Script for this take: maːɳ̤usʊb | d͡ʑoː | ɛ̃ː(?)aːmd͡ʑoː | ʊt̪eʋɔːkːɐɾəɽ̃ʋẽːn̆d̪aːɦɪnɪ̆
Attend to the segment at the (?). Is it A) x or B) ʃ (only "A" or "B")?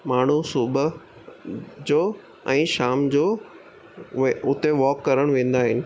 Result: B